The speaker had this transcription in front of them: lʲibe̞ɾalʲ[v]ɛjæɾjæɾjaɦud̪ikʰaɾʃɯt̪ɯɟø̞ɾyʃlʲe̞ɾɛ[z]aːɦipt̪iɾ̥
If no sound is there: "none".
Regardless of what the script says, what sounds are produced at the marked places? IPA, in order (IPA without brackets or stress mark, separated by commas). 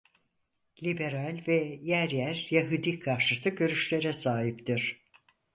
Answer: v, s